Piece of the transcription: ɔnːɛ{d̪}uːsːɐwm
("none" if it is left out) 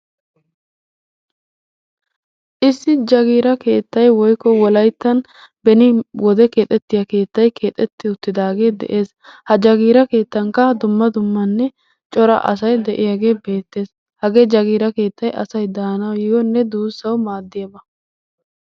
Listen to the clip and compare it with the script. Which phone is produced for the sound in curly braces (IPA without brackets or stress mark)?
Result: d̪